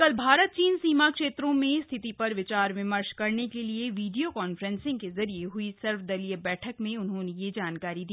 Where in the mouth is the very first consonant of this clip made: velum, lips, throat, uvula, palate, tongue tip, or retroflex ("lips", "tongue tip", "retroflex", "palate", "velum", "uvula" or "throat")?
velum